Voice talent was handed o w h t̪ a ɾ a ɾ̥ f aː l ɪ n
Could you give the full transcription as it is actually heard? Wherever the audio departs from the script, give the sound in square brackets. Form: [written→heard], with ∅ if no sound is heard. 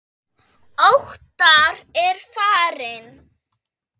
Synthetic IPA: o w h t̪ a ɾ [a→ɛ] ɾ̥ f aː [l→ɾ] ɪ n